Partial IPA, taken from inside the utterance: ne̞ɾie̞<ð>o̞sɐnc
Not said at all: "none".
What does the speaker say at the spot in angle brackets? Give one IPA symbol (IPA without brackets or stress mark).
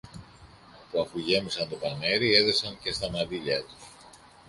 ð